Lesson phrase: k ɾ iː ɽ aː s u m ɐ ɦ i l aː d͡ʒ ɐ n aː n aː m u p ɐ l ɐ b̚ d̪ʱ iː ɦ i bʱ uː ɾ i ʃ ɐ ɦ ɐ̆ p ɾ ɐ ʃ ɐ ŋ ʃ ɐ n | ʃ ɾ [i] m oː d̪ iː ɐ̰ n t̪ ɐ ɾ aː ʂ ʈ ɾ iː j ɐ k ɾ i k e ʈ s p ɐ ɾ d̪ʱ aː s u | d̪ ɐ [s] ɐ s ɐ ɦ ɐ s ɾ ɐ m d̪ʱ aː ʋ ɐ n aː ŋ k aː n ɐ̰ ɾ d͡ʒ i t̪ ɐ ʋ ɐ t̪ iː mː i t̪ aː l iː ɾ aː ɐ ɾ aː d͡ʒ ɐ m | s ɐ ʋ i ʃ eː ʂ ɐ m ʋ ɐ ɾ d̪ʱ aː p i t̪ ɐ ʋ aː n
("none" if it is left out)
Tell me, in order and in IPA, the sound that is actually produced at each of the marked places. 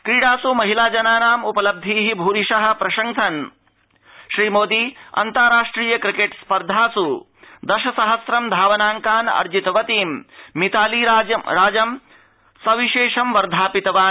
iː, ʃ

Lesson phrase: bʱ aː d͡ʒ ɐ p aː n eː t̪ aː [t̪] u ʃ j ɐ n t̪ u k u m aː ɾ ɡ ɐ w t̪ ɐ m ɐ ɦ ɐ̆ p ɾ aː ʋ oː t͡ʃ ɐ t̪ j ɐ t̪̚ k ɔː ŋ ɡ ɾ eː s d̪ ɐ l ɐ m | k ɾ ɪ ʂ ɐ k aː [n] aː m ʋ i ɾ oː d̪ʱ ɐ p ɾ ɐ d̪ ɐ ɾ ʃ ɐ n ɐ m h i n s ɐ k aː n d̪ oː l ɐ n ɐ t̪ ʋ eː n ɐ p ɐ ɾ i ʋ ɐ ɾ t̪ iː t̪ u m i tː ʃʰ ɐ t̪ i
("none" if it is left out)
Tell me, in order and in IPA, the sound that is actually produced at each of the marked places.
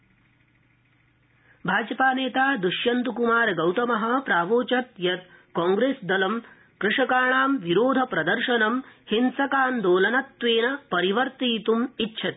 d̪, ɳ

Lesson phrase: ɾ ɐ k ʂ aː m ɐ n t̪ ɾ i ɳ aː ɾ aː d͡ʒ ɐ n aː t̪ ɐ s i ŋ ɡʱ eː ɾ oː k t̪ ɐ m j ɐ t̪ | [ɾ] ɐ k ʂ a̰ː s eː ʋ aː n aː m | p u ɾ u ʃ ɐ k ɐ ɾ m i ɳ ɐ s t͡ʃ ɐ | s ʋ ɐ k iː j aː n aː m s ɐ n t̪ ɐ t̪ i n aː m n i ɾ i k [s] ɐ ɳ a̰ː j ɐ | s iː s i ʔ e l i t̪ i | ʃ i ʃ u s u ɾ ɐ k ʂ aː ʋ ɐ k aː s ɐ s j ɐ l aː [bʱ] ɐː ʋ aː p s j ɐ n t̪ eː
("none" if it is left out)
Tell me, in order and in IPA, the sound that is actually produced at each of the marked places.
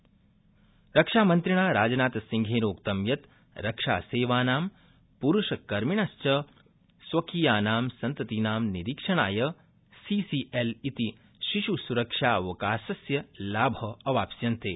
ɾ, ʂ, bʱ

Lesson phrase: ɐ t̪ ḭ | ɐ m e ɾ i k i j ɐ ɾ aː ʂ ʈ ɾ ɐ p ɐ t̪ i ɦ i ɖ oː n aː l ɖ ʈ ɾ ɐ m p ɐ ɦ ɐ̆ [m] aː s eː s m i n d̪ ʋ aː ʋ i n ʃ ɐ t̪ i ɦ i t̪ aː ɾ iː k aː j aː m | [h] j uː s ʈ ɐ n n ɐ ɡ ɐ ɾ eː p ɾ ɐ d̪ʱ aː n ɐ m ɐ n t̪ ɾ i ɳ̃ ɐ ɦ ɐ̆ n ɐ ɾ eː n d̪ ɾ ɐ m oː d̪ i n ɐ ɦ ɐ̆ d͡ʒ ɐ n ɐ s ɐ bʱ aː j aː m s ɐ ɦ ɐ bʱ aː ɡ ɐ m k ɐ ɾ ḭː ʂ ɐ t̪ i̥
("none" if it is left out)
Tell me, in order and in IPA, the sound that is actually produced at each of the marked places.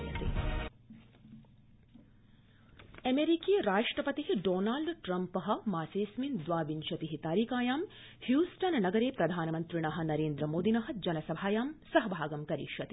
m, h

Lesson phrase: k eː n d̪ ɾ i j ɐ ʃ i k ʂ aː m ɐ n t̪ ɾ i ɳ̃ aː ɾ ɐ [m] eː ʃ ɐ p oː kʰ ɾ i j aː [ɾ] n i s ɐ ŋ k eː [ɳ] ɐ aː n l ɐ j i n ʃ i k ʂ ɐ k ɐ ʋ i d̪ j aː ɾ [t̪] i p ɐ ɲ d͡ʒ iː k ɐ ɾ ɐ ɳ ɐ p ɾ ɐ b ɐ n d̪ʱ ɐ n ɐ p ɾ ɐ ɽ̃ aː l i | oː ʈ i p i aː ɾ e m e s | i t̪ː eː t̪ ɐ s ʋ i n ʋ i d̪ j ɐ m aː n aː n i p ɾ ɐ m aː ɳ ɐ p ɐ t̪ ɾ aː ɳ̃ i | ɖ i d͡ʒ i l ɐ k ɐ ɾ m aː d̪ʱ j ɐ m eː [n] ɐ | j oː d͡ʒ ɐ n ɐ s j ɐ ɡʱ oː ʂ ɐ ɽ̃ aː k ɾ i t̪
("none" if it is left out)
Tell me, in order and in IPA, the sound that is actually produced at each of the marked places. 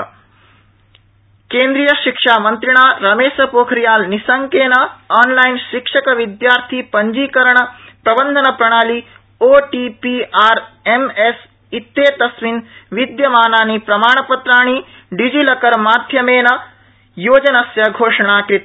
m, l, n, t̪ʰ, n

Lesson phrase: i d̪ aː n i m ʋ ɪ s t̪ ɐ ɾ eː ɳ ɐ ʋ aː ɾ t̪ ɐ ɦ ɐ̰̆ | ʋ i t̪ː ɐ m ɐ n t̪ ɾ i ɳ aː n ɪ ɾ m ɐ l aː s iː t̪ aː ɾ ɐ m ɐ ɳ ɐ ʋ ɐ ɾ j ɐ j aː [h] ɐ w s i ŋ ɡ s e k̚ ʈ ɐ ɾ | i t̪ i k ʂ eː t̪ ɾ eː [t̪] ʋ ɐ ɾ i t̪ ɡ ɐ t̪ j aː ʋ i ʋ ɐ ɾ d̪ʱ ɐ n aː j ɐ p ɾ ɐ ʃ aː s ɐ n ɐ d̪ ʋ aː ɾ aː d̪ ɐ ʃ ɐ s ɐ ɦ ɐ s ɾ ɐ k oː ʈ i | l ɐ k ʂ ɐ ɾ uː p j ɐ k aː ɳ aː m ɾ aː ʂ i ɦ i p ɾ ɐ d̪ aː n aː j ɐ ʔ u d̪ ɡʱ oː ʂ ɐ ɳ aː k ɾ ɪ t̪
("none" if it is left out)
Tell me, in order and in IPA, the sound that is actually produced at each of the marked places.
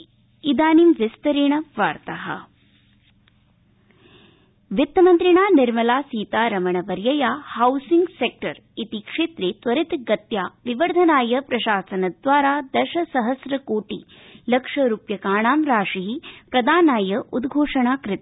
h, t̪

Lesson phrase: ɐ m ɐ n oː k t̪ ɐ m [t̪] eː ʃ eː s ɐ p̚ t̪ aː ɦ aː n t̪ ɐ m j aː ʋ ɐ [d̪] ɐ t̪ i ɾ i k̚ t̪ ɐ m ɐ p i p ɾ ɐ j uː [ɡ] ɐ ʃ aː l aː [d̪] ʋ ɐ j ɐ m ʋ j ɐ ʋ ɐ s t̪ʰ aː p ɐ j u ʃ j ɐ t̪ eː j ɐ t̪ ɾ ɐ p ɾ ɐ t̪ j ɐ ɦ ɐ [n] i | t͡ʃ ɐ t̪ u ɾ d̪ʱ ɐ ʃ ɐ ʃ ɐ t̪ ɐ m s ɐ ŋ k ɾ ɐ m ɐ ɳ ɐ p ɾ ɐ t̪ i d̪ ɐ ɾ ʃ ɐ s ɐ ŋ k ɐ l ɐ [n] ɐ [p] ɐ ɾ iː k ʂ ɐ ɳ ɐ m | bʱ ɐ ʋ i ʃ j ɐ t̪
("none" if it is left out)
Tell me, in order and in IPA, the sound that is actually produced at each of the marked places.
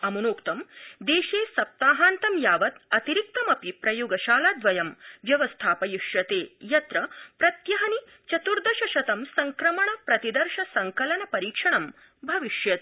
d̪, t̪, ɡ, d̪, n, n, p

